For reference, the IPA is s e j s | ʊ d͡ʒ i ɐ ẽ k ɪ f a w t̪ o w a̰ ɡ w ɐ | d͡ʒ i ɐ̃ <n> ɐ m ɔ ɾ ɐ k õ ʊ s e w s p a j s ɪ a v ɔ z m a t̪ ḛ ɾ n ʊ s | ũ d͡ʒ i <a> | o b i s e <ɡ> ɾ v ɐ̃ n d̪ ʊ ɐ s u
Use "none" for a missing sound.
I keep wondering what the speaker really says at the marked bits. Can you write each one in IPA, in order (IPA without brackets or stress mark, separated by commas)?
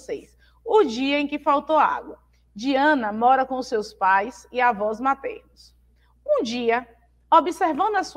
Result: n, ɐ, none